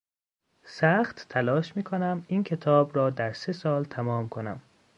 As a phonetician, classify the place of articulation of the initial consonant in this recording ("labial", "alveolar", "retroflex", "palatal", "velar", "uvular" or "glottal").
alveolar